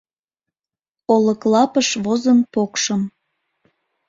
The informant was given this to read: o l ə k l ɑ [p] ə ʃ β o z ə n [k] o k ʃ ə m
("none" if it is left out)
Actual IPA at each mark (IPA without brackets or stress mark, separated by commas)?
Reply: p, p